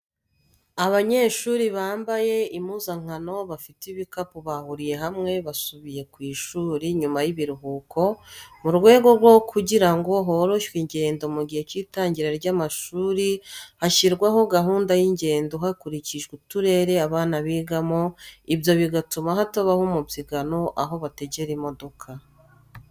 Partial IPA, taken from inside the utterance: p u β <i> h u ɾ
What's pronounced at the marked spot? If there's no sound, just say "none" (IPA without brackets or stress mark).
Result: a